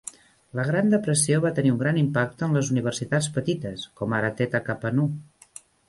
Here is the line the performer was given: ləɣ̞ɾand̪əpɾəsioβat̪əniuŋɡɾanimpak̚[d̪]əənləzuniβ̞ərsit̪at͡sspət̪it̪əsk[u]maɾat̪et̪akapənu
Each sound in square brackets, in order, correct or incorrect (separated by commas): incorrect, incorrect